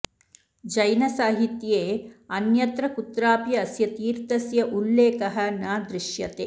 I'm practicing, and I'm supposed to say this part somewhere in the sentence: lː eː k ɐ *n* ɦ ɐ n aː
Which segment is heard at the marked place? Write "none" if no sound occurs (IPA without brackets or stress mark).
none